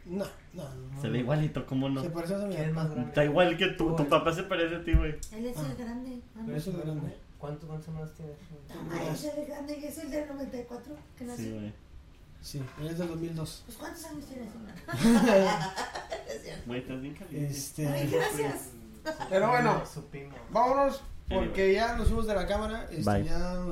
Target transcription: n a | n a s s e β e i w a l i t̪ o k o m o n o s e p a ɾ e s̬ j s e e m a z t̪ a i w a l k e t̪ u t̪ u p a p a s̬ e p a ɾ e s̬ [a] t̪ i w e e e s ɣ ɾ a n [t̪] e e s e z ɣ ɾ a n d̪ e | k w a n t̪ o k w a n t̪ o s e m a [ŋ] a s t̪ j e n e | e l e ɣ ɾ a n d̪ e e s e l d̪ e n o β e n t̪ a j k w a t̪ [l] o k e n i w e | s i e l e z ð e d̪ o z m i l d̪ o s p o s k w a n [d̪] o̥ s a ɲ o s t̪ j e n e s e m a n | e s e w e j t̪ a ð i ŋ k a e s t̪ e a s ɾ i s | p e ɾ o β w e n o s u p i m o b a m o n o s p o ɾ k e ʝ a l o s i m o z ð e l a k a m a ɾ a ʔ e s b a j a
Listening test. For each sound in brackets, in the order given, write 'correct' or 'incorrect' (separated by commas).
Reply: incorrect, incorrect, incorrect, incorrect, incorrect